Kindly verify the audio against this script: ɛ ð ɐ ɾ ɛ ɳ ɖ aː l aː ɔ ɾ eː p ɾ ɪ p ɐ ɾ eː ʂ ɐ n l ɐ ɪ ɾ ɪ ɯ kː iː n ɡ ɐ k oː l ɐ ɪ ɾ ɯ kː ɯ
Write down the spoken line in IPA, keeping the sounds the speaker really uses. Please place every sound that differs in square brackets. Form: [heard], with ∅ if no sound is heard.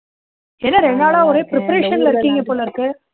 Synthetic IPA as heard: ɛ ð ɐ ɾ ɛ ɳ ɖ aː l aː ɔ ɾ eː p ɾ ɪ p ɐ ɾ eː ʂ ɐ n l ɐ ɪ ɾ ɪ ɯ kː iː [ŋ] ɡ ɐ [p] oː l ɐ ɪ ɾ ɯ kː ɯ